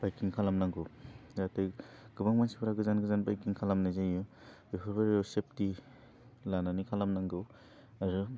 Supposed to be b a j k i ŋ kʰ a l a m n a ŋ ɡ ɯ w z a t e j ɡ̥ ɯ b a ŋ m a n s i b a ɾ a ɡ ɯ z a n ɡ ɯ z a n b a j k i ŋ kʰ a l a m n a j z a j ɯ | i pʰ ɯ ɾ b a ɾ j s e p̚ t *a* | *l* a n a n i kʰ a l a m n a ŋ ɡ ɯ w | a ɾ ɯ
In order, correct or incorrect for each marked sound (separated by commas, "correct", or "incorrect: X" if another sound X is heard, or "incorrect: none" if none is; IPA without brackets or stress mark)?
incorrect: i, correct